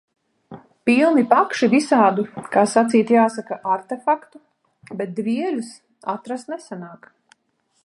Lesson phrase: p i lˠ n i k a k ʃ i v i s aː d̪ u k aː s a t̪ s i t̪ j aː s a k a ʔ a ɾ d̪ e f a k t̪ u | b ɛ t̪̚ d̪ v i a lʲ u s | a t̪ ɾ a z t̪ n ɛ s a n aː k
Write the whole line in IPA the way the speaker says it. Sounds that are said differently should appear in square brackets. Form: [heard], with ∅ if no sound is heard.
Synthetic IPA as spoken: p i lˠ n i [p] a k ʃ i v i s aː d̪ u k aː s a t̪ s [iː] t̪ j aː s a k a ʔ a ɾ [t̪] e f a k t̪ u | b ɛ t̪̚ d̪ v i [ɛ] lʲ u s | a t̪ ɾ a [s] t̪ n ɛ s a n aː k